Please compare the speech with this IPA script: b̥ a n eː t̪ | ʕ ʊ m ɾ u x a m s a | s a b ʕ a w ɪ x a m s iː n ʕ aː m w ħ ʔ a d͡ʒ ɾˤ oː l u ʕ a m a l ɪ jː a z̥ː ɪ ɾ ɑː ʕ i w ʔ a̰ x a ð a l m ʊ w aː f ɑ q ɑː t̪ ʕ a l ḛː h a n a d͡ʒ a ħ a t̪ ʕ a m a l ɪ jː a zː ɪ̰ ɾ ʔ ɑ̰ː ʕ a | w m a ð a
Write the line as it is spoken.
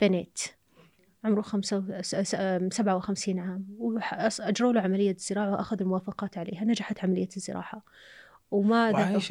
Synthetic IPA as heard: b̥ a n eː t̪ | ʕ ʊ m ɾ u x a m s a | s a b ʕ a w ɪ x a m s iː n ʕ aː m w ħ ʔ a d͡ʒ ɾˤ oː l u ʕ a m a l ɪ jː a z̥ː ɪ ɾ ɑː ʕ a w ʔ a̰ x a ð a l m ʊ w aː f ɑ q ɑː t̪ ʕ a l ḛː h a n a d͡ʒ a ħ a t̪ ʕ a m a l ɪ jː a zː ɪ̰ ɾ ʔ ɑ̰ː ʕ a | w m a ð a